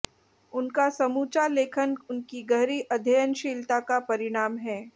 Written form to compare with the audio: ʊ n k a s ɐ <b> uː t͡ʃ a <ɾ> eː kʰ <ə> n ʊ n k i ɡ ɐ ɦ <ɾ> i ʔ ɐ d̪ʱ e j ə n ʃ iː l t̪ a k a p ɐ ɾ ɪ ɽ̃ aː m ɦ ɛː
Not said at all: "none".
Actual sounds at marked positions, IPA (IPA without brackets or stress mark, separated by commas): m, l, ə, ɾ